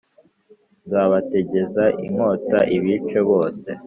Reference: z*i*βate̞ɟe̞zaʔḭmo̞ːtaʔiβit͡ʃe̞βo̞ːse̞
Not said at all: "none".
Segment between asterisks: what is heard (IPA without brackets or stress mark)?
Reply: a